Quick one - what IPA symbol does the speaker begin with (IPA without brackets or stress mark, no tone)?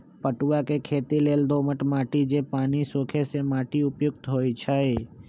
p